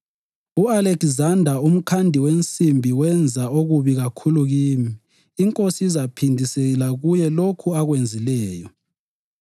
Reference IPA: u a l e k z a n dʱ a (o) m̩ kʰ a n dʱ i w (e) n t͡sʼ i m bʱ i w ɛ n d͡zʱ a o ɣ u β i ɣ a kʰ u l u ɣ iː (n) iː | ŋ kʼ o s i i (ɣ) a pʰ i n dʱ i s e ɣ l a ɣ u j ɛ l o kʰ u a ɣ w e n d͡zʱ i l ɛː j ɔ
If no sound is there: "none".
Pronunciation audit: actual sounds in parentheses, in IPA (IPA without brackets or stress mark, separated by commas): u, e, m, z